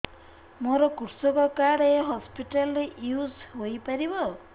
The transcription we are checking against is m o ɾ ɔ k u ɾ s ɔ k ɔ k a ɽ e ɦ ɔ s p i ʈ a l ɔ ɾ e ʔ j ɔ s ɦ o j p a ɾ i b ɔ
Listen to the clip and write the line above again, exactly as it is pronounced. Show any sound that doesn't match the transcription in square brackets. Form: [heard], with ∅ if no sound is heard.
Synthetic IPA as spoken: m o ɾ ɔ k u ɾ s ɔ k ɔ k a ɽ e ɦ ɔ s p i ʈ a l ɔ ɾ e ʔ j [u] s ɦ o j p a ɾ i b ɔ

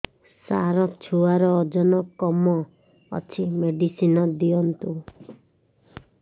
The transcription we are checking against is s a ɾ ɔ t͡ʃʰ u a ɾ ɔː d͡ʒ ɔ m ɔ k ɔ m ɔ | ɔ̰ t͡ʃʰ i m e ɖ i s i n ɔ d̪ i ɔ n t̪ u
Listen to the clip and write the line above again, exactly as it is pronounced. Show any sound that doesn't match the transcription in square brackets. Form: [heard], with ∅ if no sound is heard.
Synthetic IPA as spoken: s a ɾ ɔ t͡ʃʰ u a ɾ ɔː d͡ʒ ɔ [n] ɔ k ɔ m ɔ | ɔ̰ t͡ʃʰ i m e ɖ i s i n ɔ d̪ i ɔ n t̪ u

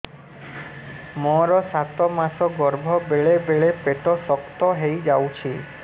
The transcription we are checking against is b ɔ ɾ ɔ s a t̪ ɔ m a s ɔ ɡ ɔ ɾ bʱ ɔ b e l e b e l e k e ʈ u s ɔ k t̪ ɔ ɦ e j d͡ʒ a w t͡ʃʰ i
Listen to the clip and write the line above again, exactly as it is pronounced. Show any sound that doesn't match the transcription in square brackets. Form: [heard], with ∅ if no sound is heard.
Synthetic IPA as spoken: [m] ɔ ɾ ɔ s a t̪ ɔ m a s ɔ ɡ ɔ ɾ bʱ ɔ b e [ɭ] e b e [ɭ] e [p] e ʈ [ɔ] s ɔ k t̪ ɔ ɦ e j d͡ʒ a w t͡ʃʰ i

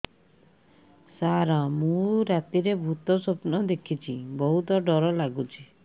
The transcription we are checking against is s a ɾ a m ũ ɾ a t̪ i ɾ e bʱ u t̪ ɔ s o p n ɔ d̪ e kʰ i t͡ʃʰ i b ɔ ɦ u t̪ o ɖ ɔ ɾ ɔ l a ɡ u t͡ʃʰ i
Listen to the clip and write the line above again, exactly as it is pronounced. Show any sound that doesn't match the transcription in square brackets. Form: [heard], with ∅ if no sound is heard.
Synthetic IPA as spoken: s a ɾ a m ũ ɾ a t̪ i ɾ e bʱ u t̪ ɔ s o p n ɔ d̪ e kʰ i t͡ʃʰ i b ɔ ɦ u t̪ [ɔ] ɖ ɔ ɾ ɔ l a ɡ u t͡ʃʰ i

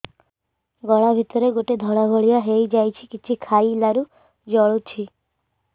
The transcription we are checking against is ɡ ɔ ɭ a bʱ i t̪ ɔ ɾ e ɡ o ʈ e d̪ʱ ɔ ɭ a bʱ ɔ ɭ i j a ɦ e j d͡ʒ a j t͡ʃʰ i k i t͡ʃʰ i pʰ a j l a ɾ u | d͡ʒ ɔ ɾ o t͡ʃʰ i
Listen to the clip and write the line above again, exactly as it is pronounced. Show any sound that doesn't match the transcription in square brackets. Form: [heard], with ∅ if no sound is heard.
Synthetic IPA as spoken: ɡ ɔ ɭ a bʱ i t̪ ɔ ɾ e ɡ o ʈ e d̪ʱ ɔ ɭ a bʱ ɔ ɭ i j a ɦ e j d͡ʒ a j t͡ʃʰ i k i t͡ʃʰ i [kʰ] a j l a ɾ u | d͡ʒ ɔ [ɭ] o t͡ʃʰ i

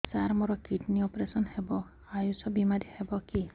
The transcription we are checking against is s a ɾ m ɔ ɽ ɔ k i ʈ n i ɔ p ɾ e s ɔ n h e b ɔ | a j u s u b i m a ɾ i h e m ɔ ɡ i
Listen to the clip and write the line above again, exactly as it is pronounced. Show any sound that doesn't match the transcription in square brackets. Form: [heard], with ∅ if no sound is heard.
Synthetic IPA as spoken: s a ɾ m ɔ [ɾ] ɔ k i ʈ n i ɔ p ɾ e s ɔ n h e b ɔ | a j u s [ɔ] b i m a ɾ i h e [b] ɔ [k] i

